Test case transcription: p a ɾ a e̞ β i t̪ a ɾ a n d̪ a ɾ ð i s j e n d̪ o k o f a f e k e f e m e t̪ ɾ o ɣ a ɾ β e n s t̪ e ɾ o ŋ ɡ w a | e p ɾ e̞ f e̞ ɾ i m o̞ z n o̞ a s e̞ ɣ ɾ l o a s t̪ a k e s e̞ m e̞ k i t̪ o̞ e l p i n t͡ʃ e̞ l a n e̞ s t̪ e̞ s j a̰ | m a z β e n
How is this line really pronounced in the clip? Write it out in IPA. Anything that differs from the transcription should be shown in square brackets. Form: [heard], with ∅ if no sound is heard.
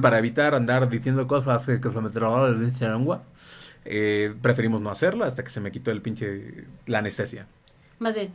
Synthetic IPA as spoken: p a ɾ a e̞ β i t̪ a ɾ a n d̪ a ɾ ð i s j e n d̪ o k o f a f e k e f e m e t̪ ɾ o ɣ a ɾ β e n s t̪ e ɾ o ŋ ɡ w a | e p ɾ e̞ f e̞ ɾ i m o̞ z n o̞ a s e̞ [∅] ɾ l o a s t̪ a k e s e̞ m e̞ k i t̪ o̞ e l p i n t͡ʃ e̞ l a n e̞ s t̪ e̞ s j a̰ | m a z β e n